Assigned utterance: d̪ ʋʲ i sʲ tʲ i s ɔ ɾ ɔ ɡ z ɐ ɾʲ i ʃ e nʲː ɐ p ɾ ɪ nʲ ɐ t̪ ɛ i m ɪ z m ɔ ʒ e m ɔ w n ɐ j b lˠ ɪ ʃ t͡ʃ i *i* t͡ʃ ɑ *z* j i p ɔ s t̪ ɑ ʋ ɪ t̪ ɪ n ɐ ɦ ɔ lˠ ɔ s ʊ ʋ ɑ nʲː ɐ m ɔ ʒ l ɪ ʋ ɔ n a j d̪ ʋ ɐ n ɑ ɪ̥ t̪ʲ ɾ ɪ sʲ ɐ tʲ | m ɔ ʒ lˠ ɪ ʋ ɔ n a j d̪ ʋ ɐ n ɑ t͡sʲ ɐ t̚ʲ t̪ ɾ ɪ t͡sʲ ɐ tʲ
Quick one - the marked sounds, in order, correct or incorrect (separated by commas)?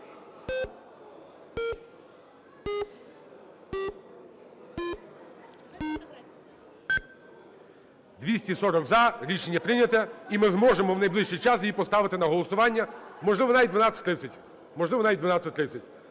incorrect, incorrect